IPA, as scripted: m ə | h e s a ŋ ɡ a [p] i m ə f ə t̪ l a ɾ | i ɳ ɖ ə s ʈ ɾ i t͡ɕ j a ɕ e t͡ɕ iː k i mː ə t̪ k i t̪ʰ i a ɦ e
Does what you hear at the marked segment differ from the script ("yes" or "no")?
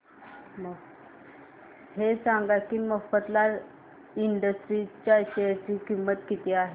yes